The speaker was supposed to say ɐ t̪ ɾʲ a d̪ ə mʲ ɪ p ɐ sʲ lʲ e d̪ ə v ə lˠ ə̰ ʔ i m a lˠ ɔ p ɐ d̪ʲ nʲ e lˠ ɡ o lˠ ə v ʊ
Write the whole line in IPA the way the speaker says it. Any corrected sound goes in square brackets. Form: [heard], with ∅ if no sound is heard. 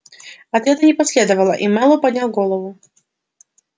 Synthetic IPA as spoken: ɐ t̪ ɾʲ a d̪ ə [nʲ] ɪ p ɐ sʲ lʲ e d̪ ə v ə lˠ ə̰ ʔ i m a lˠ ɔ p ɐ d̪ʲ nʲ [a] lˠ ɡ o lˠ ə v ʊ